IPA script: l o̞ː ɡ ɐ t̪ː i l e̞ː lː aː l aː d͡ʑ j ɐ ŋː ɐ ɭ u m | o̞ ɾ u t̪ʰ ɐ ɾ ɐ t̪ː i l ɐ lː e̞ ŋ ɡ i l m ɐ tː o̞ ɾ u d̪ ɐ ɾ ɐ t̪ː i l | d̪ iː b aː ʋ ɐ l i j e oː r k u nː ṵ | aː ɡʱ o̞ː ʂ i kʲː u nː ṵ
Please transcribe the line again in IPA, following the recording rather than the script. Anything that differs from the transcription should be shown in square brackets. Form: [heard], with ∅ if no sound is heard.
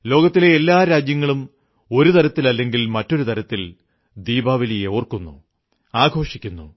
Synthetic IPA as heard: l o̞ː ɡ ɐ t̪ː i l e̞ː lː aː [ɾ] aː d͡ʑ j ɐ ŋː ɐ ɭ u m | o̞ ɾ u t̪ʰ ɐ ɾ ɐ t̪ː i l ɐ lː e̞ ŋ ɡ i l m ɐ tː o̞ ɾ u [t̪] ɐ ɾ ɐ t̪ː i l | d̪ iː b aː ʋ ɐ l i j e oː r k u nː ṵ | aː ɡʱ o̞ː ʂ i kʲː u nː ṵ